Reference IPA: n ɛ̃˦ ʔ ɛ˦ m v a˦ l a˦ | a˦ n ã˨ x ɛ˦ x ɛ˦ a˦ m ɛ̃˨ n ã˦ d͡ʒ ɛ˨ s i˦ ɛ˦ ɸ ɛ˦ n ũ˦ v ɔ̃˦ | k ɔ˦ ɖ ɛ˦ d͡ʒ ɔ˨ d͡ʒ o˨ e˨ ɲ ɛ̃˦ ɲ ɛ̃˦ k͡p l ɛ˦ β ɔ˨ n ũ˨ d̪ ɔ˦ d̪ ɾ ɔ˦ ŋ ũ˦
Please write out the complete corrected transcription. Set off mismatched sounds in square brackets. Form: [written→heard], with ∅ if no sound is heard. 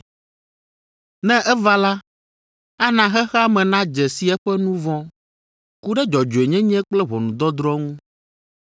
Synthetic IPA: n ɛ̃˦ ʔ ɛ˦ [m→∅] v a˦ l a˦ | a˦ n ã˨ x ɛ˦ x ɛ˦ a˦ m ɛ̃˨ n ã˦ d͡ʒ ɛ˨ s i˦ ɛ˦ ɸ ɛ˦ n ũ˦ v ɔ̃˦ | k [ɔ˦→u˦] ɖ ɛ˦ d͡ʒ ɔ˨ d͡ʒ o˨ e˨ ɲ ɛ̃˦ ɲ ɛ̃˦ k͡p l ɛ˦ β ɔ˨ n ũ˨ d̪ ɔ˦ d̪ ɾ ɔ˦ ŋ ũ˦